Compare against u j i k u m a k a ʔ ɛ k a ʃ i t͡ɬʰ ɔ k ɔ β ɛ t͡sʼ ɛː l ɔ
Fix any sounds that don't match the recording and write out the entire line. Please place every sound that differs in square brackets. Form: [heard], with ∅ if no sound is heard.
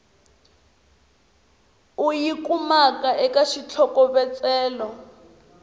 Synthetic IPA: u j i k u m a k a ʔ ɛ k a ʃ i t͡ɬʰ ɔ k ɔ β ɛ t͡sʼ ɛː l ɔ